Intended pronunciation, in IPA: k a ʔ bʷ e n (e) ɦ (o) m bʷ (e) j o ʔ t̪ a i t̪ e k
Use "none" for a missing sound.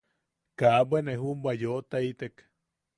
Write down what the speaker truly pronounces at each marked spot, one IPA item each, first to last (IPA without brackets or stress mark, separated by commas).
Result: e, u, a